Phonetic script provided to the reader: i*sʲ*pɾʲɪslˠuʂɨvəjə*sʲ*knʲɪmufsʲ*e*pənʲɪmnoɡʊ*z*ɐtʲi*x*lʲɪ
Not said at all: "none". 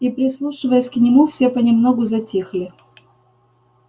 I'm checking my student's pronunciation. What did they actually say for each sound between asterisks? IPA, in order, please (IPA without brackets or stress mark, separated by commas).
none, sʲ, e, z, x